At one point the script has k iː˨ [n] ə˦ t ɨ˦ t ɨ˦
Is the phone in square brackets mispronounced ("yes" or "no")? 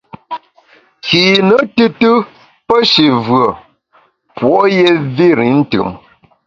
no